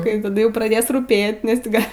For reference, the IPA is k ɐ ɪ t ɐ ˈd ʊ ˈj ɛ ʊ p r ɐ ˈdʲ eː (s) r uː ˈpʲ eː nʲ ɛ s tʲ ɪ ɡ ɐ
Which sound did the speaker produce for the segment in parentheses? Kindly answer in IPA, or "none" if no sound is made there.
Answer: s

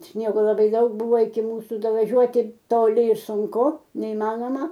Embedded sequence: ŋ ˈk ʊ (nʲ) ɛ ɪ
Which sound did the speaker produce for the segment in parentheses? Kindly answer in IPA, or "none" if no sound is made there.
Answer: nʲ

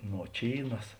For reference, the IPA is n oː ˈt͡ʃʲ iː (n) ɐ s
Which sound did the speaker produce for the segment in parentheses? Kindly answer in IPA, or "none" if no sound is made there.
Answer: n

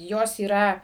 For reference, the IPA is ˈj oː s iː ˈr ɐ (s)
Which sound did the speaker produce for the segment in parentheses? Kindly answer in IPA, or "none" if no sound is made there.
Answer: none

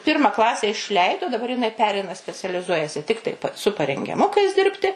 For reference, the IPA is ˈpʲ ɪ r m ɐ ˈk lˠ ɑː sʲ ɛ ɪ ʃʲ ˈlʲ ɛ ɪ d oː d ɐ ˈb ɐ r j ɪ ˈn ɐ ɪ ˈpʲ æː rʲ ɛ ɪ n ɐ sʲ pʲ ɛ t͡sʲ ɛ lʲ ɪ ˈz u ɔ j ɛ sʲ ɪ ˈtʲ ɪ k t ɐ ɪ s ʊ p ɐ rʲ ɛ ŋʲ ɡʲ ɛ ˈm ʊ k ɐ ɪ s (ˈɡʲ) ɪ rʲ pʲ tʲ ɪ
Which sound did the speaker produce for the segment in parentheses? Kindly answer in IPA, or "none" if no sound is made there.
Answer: dʲ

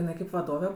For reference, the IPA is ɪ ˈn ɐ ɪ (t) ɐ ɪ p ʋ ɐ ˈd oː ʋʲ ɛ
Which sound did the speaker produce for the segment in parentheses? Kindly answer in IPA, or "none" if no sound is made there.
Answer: k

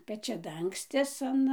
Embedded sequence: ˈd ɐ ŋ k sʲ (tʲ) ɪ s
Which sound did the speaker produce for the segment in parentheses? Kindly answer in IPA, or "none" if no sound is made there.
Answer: tʲ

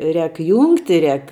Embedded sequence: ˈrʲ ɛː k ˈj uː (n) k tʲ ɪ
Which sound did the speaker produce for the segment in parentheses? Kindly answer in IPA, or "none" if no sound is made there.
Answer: ŋ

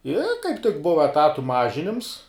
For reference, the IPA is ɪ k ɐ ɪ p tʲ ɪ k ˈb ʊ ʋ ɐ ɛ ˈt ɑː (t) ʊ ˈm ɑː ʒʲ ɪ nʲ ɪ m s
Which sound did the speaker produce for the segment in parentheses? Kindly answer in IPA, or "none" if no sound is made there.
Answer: t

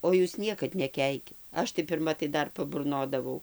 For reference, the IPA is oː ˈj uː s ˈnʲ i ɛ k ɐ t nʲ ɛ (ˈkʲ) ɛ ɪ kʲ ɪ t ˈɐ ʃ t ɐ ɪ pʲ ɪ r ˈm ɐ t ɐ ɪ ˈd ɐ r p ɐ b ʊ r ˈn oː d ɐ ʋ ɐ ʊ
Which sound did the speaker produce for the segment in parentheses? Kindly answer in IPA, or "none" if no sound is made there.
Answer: kʲ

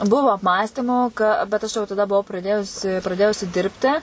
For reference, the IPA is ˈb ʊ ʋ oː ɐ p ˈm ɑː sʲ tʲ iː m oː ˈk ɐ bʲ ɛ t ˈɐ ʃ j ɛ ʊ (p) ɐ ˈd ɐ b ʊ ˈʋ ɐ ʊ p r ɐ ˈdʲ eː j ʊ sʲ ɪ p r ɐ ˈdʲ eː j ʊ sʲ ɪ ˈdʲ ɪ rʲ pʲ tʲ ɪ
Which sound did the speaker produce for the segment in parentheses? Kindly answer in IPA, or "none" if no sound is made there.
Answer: t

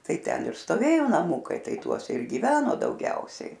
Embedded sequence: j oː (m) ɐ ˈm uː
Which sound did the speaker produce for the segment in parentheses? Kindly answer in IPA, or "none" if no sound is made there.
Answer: n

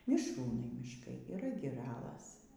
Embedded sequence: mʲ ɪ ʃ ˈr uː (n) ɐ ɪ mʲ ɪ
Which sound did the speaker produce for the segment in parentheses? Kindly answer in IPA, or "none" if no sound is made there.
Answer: n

